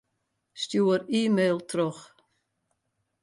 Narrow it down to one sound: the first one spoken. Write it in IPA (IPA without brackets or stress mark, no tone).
s